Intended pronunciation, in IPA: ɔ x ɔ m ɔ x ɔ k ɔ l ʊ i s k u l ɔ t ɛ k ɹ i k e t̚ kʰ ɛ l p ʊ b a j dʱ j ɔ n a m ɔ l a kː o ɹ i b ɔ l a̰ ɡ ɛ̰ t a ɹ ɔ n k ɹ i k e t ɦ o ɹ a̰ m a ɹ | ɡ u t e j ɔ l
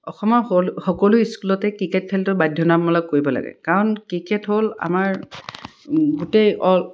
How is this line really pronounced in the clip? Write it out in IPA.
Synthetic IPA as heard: ɔ x ɔ m ɔ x ɔ k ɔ l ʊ i s k u l ɔ t ɛ k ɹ i k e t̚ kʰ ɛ l t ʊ b a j dʱ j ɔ n a m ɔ l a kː o ɹ i b ɔ l a̰ ɡ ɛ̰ k a ɹ ɔ n k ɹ i k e t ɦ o l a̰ m a ɹ | ɡ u t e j ɔ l